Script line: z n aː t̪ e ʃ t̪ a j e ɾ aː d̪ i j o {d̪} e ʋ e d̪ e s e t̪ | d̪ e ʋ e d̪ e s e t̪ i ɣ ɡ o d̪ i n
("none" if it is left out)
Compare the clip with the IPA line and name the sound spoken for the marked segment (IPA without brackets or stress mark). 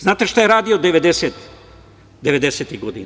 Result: d̪